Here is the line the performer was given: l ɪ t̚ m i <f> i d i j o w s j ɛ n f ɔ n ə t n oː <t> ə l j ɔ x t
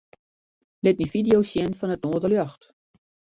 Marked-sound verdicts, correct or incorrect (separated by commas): correct, incorrect